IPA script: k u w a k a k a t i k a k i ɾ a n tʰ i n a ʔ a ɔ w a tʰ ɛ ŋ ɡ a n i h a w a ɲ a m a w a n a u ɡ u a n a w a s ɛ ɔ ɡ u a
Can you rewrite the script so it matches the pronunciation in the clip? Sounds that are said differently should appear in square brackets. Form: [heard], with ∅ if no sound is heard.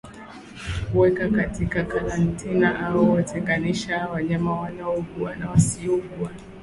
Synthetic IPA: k u w [ɛ] k a k a t i k a k [a] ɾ a n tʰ i n a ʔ a ɔ w a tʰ ɛ ŋ ɡ a n i [ʃ] a w a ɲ a m a w a n a [ɔ] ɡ u a n a w a s [i] ɔ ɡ u a